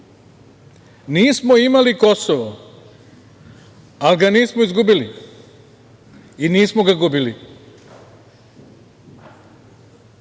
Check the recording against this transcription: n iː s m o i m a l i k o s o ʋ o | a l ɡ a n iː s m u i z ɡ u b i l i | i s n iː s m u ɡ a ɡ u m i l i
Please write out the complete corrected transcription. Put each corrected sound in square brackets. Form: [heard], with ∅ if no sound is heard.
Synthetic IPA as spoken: n iː s m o i m a l i k o s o ʋ o | a l ɡ a n iː s m [o] i z ɡ u b i l i | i [∅] n iː s m [o] ɡ a ɡ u [b] i l i